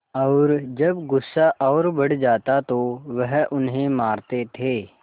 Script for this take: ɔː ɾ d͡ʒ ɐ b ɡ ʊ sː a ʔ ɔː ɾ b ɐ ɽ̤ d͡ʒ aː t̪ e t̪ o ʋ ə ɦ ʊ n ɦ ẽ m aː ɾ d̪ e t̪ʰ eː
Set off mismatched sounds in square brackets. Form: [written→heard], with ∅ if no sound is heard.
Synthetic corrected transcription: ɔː ɾ d͡ʒ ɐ b ɡ ʊ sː a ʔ ɔː ɾ b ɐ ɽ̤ d͡ʒ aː t̪ [e→a] t̪ o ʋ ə ɦ ʊ n ɦ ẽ m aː ɾ [d̪→t̪] e t̪ʰ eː